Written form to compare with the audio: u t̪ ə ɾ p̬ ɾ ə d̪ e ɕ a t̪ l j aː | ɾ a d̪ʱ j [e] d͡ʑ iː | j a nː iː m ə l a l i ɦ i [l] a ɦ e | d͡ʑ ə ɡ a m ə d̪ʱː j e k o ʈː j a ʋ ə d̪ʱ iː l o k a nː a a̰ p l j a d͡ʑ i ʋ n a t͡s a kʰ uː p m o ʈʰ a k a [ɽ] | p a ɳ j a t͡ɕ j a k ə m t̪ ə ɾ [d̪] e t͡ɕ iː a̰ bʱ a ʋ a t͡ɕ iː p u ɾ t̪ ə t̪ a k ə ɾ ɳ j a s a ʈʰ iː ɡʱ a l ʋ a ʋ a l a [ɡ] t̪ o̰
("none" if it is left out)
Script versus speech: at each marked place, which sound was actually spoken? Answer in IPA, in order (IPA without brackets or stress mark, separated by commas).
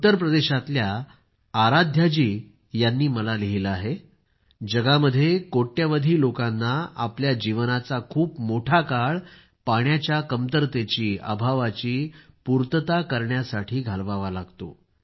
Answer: a, l, ɭ, t̪, ɡ